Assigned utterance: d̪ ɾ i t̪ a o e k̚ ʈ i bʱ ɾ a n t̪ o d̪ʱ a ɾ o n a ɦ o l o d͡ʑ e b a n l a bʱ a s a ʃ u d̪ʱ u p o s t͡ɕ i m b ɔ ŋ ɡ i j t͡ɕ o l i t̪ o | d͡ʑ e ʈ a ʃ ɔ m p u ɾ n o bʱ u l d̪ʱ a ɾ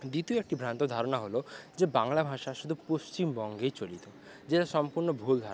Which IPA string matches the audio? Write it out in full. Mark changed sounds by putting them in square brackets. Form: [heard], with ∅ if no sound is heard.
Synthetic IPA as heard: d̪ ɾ i t̪ [i] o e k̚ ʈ i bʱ ɾ a n t̪ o d̪ʱ a ɾ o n a ɦ o l o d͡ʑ e b a [ŋ] l a bʱ a [ʃ] a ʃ u d̪ʱ u p o s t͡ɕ i m b ɔ ŋ ɡ [e] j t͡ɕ o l i t̪ o | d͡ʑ e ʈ a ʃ ɔ m p u ɾ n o bʱ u l d̪ʱ a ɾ